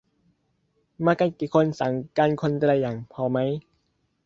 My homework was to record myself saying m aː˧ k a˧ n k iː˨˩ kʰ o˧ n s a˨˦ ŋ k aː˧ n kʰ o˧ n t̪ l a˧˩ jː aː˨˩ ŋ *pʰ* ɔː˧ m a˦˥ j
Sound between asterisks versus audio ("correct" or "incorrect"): correct